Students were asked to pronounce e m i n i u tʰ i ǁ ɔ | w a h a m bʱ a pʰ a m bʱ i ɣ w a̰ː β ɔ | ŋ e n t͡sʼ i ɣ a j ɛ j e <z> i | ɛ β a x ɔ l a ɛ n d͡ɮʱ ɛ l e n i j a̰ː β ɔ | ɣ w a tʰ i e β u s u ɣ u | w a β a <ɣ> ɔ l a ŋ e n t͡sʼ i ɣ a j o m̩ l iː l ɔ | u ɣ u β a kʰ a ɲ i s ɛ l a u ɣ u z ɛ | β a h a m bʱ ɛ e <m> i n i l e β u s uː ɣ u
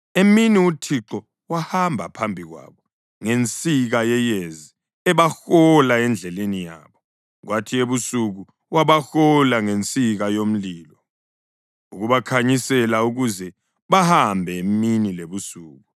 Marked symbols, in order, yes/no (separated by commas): yes, no, yes